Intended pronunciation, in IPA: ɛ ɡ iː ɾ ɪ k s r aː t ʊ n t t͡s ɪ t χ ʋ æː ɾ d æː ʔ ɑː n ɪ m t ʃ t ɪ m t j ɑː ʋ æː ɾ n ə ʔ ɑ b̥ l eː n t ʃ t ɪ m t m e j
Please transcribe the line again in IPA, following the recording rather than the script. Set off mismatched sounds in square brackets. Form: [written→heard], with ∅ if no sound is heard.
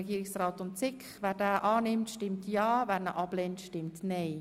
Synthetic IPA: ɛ ɡ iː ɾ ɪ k s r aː t ʊ n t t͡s ɪ [t→k] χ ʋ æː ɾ d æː ʔ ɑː n ɪ m t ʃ t ɪ m t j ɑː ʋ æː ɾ n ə ʔ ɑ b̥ l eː n t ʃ t ɪ m t [m→n] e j